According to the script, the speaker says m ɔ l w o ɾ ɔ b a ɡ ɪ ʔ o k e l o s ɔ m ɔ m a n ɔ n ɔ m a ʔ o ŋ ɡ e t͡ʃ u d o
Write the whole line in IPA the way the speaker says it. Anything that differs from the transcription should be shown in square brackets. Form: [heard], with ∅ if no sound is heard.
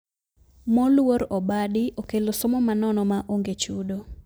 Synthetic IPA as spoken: m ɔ l w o ɾ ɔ b a [d] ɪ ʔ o k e l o s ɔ m ɔ m a n ɔ n ɔ m a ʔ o ŋ ɡ e t͡ʃ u d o